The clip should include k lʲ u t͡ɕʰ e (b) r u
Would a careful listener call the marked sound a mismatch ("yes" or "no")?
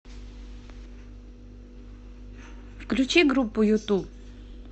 yes